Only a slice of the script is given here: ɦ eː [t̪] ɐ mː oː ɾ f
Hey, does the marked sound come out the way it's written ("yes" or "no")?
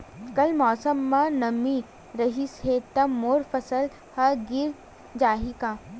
yes